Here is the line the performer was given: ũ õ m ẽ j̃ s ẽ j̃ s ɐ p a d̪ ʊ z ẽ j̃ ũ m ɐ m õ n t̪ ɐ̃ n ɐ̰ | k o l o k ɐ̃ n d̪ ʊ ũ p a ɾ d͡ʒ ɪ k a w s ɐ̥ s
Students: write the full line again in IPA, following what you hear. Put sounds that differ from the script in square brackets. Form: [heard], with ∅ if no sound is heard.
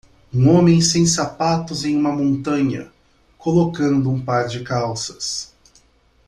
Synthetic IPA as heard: ũ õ m ẽ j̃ s ẽ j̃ s [a] p a [t̪] ʊ z ẽ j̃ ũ m ɐ m õ n t̪ ɐ̃ [ɲ] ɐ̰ | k o l o k ɐ̃ n d̪ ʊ ũ p a ɾ d͡ʒ ɪ k a w s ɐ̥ s